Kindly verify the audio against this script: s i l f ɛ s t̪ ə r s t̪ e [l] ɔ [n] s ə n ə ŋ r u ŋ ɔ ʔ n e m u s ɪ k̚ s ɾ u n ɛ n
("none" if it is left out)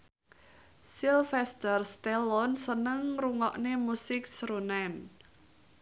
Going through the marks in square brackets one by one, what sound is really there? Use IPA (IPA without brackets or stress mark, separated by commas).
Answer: l, n